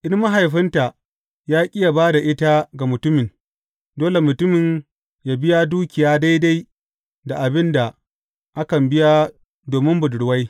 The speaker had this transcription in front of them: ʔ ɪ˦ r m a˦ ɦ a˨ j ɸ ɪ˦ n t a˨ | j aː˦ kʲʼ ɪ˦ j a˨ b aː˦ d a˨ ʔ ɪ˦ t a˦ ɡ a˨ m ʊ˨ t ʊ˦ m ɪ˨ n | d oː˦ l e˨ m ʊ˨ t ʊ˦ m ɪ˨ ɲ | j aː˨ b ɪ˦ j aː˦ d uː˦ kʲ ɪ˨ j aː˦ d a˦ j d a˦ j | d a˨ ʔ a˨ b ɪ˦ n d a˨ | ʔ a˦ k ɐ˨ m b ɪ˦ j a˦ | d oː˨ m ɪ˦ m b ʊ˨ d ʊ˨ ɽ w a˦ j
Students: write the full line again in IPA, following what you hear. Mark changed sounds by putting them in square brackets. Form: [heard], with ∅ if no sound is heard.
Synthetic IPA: ʔ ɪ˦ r m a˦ ɦ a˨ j ɸ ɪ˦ n t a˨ | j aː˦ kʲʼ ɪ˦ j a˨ b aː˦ d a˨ ʔ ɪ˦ t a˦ ɡ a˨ m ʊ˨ t ʊ˦ m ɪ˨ n | d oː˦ l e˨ m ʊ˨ t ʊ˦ m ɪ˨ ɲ | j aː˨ b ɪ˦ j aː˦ d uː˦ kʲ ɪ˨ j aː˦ d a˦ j d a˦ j | d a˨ ʔ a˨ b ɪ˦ n d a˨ | ʔ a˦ k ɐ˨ m b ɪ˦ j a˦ | d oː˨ m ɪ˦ m b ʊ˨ d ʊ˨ ɽ w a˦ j